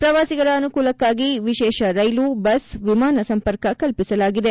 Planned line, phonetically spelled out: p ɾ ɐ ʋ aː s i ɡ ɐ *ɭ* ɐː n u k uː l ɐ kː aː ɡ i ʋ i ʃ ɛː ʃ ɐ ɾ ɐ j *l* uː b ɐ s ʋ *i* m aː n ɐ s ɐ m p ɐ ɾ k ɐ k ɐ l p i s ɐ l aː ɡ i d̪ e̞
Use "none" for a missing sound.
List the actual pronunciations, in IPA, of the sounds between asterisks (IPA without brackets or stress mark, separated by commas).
ɾ, l, i